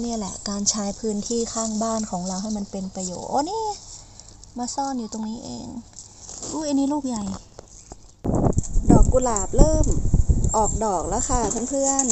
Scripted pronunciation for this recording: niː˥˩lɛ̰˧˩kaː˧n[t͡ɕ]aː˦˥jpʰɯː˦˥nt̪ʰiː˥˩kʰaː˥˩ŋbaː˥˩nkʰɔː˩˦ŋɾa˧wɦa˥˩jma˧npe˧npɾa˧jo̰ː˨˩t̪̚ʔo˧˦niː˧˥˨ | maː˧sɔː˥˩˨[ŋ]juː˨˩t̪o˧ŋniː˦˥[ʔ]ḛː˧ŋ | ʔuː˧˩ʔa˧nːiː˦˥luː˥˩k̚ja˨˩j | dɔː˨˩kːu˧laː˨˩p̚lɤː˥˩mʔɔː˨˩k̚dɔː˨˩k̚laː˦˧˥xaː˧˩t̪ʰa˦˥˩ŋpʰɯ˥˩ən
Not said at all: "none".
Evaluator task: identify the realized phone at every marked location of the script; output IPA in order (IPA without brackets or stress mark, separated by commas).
t͡ɕʰ, n, ʔ